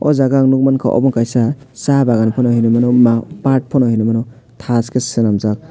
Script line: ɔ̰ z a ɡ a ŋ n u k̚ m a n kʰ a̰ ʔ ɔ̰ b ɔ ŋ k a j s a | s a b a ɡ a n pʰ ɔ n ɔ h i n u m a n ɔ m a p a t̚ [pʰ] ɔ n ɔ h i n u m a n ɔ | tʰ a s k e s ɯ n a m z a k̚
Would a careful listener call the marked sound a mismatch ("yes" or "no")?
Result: no